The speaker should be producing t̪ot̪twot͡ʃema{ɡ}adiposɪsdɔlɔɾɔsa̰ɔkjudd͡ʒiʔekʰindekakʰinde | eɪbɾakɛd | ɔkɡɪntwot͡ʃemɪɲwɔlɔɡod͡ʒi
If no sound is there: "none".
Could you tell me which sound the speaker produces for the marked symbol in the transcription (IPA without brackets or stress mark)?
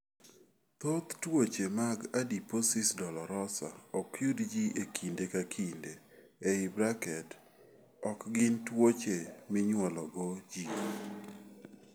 ɡ